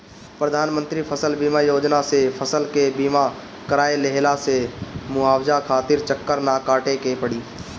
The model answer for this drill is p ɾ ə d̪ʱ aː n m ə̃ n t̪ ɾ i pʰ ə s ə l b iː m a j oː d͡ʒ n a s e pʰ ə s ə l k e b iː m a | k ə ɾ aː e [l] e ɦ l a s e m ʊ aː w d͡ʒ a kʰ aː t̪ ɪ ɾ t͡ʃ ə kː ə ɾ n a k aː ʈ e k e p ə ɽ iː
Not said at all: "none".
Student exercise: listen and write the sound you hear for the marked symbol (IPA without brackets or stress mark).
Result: l